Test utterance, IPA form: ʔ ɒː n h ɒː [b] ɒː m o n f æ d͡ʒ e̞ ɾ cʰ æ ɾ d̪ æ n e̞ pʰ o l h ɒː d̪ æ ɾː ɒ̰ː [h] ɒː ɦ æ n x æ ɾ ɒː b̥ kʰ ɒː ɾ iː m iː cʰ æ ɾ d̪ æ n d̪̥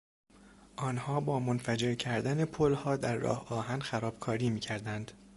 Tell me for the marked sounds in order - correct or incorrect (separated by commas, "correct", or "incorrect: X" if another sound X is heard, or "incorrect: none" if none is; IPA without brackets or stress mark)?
correct, correct